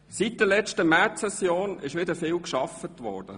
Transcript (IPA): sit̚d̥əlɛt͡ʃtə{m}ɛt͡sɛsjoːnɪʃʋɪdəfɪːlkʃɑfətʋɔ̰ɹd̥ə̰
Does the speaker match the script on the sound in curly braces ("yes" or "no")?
yes